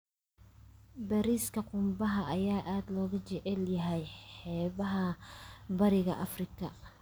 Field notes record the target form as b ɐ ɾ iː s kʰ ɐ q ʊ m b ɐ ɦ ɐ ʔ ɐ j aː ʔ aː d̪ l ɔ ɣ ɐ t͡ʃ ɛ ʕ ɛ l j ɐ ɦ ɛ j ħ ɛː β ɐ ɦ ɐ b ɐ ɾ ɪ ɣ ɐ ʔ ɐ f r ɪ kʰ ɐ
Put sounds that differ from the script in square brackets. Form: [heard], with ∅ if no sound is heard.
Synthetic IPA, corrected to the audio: b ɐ ɾ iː s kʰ ɐ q ʊ m b ɐ ɦ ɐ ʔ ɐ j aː ʔ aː d̪ l [ɔː] ɣ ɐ t͡ʃ ɛ ʕ ɛ l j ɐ ɦ ɛ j ħ ɛː β ɐ ɦ ɐ b ɐ ɾ ɪ ɣ ɐ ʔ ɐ f r ɪ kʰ ɐ